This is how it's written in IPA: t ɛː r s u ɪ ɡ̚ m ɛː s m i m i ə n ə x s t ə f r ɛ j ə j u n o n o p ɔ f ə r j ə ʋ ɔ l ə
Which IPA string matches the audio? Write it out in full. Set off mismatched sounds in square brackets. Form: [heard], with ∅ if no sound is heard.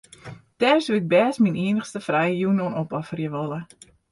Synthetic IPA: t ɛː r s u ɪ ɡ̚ [b] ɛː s m i [n] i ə n ə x s t ə f r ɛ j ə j u n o n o p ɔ f ə r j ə ʋ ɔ l ə

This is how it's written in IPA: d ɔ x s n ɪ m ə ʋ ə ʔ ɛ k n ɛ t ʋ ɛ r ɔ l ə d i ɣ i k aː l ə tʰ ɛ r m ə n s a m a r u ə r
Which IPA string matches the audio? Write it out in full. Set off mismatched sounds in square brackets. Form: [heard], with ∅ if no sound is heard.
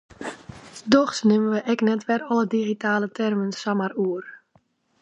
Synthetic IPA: d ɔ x s n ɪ m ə ʋ ə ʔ ɛ k n ɛ t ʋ ɛ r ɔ l ə d i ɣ i [t] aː l ə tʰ ɛ r m ə n s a m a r u ə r

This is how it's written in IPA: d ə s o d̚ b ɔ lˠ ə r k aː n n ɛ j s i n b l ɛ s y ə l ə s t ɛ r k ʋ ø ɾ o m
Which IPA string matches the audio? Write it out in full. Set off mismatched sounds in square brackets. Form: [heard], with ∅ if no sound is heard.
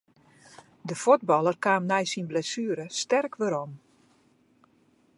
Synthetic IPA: d ə [f] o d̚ b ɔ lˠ ə r k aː [m] n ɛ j s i n b l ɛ s y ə [ɾ] ə s t ɛ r k ʋ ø ɾ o m

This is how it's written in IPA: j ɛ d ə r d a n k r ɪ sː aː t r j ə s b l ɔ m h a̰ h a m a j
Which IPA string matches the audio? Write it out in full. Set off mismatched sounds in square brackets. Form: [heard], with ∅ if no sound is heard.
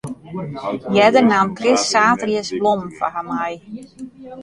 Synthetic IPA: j ɛ d ə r [n] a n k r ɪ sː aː t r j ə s b l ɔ m [f] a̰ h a m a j

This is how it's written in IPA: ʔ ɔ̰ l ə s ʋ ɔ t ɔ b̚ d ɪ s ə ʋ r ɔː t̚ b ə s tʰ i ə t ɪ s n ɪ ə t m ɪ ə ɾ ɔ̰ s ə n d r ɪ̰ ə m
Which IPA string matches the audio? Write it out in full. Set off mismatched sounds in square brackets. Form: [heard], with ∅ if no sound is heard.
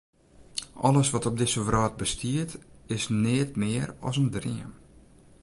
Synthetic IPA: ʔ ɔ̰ l ə s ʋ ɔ t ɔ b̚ d ɪ s ə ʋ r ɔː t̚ b ə s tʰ i ə t ɪ s n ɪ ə t m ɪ ə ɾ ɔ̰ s ə n d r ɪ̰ ə m

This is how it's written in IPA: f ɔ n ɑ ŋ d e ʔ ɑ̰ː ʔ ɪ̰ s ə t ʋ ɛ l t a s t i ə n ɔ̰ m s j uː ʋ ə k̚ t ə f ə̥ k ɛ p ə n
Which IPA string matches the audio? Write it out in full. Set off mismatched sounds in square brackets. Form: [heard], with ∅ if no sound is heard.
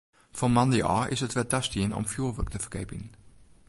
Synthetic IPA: f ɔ [m] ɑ [n] d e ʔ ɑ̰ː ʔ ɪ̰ s ə t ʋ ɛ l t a s t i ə n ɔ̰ m [f] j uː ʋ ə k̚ t ə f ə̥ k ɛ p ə n

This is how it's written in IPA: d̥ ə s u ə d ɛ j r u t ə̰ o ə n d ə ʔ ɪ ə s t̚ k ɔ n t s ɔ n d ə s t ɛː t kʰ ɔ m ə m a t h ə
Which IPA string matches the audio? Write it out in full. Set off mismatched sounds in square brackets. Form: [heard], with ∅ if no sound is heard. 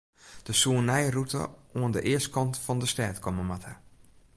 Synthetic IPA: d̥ ə s u ə [n] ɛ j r u t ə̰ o ə n d ə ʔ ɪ ə s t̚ k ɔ n t [f] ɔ n d ə s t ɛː t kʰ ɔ m ə m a t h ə

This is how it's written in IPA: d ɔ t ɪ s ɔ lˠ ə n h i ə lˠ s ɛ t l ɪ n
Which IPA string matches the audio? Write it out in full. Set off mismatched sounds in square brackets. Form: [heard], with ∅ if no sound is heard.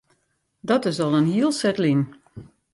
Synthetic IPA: d ɔ t ɪ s ɔ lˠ ə n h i ə lˠ s ɛ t l [i] n

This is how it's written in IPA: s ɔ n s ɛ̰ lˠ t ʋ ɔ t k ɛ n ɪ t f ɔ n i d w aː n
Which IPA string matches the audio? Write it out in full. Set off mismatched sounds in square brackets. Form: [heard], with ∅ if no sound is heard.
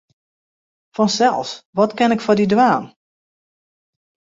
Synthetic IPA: [f] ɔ n s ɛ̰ lˠ [s] ʋ ɔ t k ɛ n ɪ [k] f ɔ [d] i d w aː n

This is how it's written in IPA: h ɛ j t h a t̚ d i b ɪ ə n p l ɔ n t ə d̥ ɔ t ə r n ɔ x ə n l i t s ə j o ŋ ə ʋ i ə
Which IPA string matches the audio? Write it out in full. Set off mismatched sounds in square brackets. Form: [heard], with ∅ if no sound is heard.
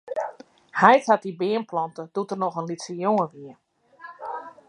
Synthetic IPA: h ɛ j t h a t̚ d i b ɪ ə n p l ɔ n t ə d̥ [u] t ə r n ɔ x ə n l i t s ə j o ŋ ə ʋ i ə

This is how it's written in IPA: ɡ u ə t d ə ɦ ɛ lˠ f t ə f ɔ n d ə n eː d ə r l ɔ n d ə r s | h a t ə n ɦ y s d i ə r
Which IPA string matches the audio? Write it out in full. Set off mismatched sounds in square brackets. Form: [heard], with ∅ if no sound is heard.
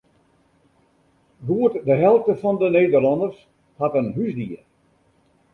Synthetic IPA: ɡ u ə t d ə ɦ ɛ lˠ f t ə f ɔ n d ə n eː d ə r l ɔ n d ə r s | h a t ə n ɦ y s d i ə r

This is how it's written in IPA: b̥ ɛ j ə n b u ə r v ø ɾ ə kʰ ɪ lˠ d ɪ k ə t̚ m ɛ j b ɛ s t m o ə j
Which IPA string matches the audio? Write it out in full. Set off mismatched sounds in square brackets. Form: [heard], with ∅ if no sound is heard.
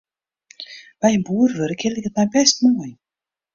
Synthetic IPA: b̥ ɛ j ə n b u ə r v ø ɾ ə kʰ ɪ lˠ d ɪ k ə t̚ m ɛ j b ɛ s t m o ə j

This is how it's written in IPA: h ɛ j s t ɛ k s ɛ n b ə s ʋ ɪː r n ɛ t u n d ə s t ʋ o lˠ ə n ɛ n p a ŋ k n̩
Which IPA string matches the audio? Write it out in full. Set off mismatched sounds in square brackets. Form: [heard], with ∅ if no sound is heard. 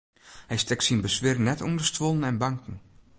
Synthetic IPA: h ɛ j s t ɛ k s [i] n b ə s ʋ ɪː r n ɛ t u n d ə s t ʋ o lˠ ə n ɛ n [b] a ŋ k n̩

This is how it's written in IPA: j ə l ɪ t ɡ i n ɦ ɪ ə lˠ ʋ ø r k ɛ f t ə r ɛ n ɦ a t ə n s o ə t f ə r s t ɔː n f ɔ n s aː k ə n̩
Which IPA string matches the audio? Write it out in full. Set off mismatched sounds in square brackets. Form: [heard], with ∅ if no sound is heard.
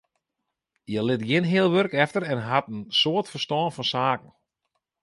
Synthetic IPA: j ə l ɪ t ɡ [ɪ] n ɦ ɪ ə lˠ ʋ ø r k ɛ f t ə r ɛ n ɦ a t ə n s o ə t f ə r s t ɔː n f ɔ n s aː k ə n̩

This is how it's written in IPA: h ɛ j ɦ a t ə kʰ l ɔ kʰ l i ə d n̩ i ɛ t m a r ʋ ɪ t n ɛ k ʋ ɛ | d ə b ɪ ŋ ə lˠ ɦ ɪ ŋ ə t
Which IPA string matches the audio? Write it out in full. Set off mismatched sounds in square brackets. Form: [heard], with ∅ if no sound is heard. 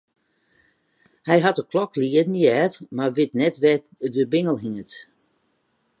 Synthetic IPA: h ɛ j ɦ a t ə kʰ l ɔ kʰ l i ə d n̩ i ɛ t m a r ʋ ɪ t n ɛ [t] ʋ ɛ | d ə b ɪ ŋ ə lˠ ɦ [i] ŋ ə t

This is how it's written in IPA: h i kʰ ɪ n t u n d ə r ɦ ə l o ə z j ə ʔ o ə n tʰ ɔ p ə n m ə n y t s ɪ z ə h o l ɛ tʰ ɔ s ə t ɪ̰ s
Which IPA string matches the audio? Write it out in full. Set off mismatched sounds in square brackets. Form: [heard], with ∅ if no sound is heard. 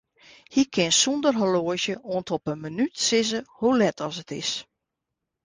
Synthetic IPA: h i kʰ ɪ n [s] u n d ə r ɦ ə l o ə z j ə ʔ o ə n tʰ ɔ p ə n m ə n y t s ɪ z ə h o l ɛ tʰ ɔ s ə t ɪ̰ s

